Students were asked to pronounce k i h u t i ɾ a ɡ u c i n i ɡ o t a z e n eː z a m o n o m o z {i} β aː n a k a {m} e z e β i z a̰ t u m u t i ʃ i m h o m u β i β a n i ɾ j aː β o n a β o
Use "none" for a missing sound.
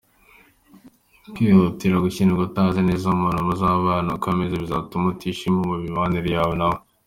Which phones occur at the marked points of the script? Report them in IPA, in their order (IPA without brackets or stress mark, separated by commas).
a, m